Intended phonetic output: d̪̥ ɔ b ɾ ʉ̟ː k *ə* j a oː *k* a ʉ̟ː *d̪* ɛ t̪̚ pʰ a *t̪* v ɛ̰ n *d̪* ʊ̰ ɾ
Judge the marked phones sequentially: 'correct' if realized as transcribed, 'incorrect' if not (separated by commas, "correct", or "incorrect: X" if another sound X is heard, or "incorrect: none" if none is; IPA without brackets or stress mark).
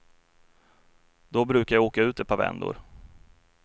incorrect: a, correct, incorrect: t̪, incorrect: none, correct